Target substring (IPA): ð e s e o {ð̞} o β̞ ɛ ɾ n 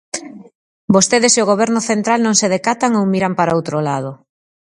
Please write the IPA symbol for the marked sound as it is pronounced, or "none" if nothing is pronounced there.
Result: ɣ̞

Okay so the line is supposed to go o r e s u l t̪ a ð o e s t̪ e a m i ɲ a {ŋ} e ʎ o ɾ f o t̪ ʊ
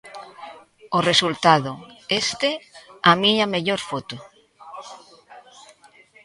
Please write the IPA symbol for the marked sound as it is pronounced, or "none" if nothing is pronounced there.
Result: m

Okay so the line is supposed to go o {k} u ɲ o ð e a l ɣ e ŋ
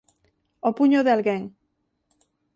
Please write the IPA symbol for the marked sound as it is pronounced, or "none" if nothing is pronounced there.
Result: p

